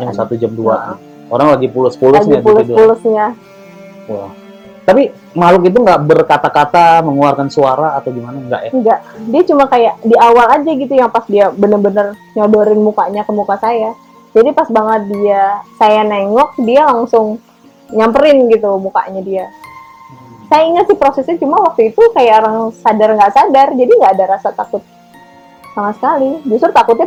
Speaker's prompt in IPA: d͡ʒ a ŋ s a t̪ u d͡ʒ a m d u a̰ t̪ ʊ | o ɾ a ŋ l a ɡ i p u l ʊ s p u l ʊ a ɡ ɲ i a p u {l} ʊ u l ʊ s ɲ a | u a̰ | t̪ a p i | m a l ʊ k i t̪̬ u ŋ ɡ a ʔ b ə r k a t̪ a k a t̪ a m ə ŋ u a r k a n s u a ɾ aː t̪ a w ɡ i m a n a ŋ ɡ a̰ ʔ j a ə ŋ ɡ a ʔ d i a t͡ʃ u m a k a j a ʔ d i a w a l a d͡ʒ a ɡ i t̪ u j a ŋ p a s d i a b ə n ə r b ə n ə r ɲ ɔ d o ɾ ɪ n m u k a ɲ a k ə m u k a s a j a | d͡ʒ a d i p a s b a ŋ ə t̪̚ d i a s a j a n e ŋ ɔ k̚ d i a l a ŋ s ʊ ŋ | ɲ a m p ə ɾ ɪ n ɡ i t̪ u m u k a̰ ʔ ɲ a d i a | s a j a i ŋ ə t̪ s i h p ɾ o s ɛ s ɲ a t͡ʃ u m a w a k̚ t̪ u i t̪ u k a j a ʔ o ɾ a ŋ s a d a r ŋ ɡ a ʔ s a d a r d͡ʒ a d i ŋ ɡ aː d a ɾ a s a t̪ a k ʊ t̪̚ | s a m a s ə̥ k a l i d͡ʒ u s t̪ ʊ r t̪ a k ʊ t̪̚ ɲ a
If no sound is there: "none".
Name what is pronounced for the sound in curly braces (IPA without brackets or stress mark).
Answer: l